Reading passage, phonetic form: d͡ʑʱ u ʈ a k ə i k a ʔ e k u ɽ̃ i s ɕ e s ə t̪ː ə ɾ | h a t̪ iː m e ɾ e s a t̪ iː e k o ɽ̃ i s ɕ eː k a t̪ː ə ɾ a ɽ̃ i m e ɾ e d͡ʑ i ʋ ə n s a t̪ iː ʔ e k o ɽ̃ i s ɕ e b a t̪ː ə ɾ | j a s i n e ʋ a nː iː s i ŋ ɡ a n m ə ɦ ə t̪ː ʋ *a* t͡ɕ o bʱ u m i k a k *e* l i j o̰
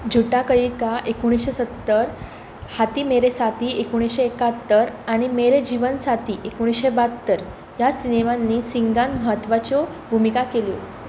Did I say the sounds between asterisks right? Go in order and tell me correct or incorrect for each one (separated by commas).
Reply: correct, correct